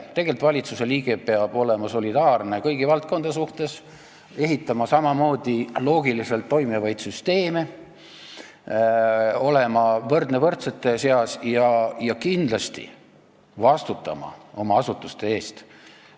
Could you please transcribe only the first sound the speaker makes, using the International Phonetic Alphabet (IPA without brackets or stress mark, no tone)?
t̪